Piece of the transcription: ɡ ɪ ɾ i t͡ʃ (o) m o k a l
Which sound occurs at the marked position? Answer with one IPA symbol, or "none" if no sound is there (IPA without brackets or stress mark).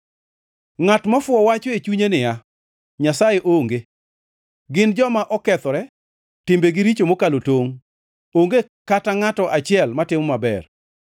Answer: o